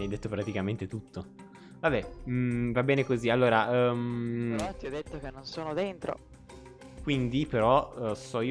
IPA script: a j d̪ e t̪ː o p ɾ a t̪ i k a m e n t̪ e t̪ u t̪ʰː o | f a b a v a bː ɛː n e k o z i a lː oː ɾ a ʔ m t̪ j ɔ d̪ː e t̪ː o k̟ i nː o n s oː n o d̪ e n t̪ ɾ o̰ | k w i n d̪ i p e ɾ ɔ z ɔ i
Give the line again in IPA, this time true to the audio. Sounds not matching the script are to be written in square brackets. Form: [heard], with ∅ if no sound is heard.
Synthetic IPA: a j d̪ e t̪ː o p ɾ a t̪ i k a m e n t̪ e t̪ u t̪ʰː o | [v] a b [ɛ] v a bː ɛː n e k o z i a lː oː ɾ a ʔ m t̪ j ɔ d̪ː e t̪ː o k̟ [e] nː o n s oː n o d̪ e n t̪ ɾ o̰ | k w i n d̪ i p e ɾ ɔ [s] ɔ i